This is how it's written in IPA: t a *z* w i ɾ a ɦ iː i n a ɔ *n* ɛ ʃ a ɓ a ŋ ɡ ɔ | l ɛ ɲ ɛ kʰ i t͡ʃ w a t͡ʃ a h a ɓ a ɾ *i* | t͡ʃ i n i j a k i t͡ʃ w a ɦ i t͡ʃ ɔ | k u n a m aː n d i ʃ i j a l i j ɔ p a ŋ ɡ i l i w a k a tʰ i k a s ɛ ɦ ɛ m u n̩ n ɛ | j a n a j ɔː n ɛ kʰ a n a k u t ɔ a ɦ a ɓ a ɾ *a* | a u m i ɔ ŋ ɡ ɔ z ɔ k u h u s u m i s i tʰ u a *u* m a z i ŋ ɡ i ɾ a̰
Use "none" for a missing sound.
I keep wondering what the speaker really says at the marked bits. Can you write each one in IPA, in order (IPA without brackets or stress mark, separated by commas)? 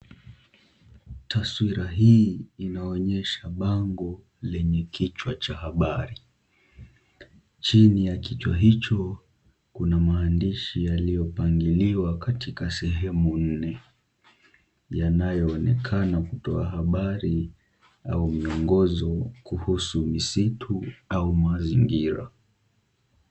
s, ɲ, i, i, u